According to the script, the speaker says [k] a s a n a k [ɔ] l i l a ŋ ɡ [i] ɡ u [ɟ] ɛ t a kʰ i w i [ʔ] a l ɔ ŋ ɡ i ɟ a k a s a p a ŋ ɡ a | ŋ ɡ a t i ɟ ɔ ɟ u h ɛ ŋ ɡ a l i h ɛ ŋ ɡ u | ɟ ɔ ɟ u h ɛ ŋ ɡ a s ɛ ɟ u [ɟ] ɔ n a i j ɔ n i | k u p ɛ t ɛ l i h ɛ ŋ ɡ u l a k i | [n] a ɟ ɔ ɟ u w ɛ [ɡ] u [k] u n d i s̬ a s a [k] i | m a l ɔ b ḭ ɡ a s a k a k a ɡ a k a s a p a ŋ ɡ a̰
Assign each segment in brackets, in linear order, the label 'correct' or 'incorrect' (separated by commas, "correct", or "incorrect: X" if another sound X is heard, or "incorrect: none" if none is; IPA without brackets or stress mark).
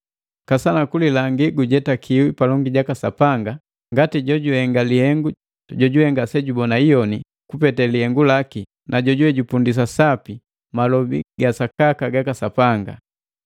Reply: correct, incorrect: u, correct, correct, incorrect: p, incorrect: b, correct, incorrect: ɟ, incorrect: p, incorrect: p